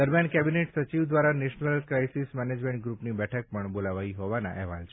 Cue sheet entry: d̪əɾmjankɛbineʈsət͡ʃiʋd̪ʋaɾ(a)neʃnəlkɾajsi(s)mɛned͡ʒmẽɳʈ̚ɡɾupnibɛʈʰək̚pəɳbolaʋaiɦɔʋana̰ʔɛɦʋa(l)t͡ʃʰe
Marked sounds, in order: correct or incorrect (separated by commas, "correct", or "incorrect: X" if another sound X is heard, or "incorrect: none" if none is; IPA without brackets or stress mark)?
correct, correct, correct